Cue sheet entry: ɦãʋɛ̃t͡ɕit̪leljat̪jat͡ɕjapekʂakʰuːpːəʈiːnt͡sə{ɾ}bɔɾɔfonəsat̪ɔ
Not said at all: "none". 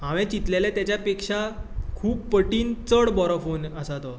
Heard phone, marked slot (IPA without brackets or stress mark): ɽ